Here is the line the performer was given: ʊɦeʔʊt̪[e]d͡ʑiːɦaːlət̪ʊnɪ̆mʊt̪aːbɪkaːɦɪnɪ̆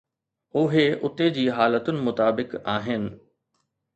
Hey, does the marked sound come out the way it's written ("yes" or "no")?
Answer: yes